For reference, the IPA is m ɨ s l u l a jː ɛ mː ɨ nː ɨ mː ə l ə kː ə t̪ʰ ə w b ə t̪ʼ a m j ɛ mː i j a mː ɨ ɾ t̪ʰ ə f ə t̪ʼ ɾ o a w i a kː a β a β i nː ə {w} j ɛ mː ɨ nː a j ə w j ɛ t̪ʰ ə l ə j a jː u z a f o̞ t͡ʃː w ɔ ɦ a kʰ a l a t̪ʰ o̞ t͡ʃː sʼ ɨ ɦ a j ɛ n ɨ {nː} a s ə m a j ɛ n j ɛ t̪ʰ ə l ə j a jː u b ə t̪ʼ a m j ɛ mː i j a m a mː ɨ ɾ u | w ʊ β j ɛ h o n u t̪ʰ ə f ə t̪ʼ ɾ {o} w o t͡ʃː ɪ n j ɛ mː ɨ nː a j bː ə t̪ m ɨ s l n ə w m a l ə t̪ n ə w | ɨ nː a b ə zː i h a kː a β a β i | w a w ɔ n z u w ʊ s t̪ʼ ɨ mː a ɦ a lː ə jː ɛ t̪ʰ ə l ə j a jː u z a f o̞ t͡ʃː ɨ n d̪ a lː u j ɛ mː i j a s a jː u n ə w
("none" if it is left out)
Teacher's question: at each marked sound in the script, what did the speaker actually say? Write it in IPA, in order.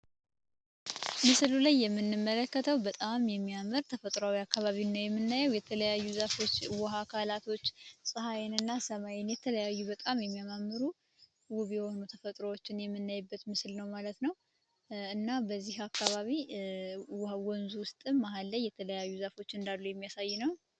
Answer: w, nː, o

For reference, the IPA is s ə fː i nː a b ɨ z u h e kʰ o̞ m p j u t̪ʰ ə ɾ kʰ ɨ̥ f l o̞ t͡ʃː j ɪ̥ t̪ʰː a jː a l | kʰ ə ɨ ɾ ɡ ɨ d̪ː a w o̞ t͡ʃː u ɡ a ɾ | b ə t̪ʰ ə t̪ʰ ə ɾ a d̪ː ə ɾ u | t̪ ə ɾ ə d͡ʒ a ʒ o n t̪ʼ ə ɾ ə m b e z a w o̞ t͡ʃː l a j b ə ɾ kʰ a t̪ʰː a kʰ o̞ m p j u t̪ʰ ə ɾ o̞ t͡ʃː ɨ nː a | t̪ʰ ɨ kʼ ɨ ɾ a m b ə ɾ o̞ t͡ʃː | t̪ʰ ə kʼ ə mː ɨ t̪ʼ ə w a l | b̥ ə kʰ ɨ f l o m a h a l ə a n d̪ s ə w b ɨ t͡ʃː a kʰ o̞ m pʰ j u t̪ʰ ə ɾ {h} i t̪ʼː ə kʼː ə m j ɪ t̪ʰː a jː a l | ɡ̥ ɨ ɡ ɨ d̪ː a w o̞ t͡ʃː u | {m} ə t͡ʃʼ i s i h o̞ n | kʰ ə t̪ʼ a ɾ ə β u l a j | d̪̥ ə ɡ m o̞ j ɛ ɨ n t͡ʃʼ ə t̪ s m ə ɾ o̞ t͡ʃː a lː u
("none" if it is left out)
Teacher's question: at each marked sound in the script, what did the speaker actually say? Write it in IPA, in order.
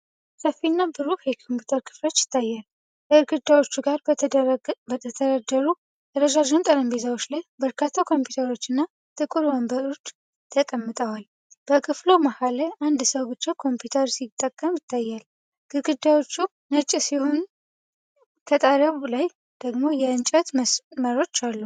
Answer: s, n

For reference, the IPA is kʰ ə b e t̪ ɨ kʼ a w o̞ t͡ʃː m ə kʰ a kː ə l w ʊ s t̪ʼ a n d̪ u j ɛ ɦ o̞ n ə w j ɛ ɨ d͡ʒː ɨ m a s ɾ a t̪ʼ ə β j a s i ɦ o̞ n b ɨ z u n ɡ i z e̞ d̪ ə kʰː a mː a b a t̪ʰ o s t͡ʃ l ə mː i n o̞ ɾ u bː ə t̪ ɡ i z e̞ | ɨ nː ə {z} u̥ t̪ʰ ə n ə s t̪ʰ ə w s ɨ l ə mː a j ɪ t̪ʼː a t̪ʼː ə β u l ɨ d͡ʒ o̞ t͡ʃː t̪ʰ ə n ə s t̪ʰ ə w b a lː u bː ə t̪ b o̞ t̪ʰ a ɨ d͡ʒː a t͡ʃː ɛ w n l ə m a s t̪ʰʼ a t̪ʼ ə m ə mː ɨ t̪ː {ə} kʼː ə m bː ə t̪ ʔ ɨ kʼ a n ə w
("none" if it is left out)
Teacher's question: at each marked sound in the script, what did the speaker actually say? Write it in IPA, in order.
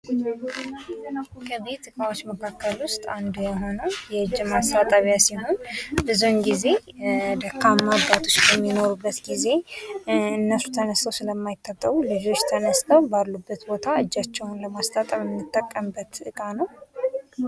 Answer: s, ə

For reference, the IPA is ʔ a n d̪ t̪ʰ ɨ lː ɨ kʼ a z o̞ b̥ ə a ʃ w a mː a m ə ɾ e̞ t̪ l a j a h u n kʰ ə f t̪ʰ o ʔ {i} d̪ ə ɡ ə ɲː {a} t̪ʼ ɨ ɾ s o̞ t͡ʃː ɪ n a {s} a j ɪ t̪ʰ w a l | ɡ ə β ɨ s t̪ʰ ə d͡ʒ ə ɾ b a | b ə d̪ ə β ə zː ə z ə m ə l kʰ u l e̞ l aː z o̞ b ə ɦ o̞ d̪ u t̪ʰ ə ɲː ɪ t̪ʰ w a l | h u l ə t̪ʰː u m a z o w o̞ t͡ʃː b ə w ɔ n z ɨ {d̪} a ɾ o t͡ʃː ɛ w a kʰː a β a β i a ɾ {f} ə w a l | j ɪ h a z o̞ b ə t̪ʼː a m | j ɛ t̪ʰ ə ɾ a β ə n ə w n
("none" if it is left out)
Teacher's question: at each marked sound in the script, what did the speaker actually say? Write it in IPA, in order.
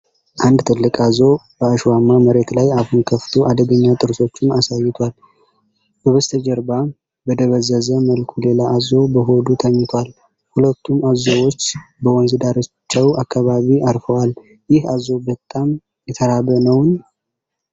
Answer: a, a, s, d̪, f

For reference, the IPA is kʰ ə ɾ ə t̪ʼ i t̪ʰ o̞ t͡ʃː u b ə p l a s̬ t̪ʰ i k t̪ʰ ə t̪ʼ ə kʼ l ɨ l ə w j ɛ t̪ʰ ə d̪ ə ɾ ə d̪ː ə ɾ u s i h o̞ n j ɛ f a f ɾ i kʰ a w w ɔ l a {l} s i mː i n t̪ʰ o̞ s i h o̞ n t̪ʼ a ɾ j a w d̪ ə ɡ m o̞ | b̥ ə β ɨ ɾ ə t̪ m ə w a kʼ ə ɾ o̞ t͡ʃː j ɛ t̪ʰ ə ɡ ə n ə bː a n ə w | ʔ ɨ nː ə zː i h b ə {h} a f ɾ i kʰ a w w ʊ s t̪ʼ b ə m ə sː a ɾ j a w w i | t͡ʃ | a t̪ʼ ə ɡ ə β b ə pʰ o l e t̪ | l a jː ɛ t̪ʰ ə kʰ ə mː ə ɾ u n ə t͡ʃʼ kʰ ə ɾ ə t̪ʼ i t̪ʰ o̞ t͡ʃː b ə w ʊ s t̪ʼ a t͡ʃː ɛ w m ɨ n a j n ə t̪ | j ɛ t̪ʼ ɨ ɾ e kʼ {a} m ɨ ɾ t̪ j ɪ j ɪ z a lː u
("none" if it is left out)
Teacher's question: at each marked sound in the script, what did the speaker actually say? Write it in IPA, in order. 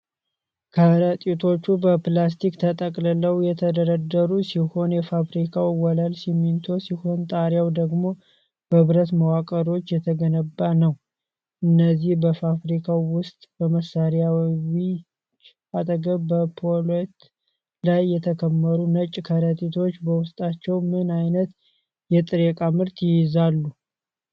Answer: l, f, a

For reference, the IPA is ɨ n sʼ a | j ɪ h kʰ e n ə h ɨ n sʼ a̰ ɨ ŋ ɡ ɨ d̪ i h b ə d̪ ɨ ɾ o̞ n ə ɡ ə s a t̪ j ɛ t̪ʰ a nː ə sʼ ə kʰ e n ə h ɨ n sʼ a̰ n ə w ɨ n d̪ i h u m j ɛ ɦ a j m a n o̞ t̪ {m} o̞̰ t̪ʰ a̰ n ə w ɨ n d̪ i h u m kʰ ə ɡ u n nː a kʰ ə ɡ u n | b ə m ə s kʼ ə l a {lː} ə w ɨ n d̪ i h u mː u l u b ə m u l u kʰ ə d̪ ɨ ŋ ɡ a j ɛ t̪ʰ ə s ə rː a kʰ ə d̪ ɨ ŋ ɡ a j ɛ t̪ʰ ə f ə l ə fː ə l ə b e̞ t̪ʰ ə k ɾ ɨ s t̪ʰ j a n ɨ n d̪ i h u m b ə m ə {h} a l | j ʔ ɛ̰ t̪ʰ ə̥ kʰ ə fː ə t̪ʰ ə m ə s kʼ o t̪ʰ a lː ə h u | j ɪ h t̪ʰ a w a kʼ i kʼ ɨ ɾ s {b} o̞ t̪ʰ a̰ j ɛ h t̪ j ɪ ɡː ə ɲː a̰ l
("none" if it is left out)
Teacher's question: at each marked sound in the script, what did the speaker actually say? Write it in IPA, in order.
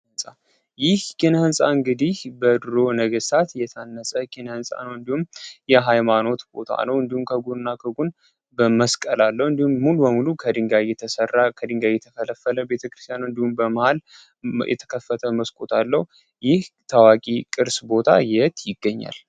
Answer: b, lː, h, b

